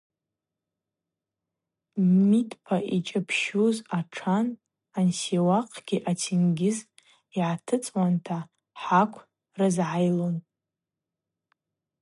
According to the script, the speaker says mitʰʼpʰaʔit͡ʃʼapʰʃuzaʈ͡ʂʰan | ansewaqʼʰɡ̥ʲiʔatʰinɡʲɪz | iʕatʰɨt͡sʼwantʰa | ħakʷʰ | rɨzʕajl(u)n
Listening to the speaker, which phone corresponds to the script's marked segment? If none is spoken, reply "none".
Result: o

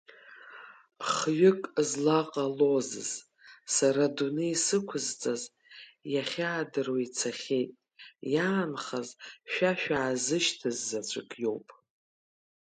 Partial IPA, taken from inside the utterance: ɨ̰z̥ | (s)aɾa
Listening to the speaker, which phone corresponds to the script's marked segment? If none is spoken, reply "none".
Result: s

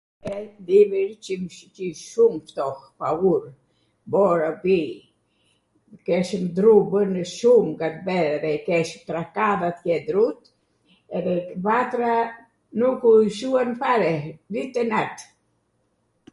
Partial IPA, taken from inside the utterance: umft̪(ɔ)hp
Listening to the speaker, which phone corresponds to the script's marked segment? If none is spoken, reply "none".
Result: ɔ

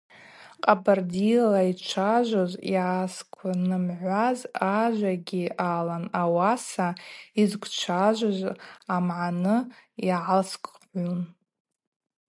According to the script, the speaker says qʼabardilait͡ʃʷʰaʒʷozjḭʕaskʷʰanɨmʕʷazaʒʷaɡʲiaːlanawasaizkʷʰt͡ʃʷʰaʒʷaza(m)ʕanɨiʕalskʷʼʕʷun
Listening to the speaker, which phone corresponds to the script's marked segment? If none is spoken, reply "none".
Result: m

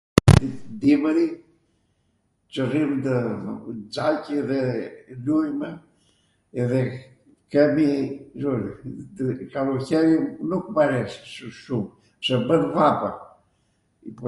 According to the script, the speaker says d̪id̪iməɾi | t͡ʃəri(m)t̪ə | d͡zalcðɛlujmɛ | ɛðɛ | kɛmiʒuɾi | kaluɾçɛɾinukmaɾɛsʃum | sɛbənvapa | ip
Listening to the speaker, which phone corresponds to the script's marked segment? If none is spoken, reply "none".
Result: m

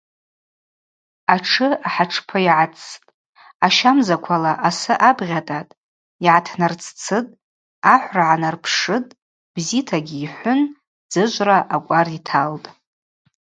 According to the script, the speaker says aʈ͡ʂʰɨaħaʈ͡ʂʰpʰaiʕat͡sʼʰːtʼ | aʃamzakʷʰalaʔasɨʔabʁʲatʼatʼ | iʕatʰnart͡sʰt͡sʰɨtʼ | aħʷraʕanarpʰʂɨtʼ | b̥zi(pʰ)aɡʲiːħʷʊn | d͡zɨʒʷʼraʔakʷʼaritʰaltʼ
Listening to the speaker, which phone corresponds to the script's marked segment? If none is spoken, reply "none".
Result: tʰ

